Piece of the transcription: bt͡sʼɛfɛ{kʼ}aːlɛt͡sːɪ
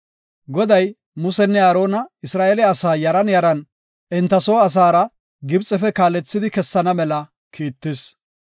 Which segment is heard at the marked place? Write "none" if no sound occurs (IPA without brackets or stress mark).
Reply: k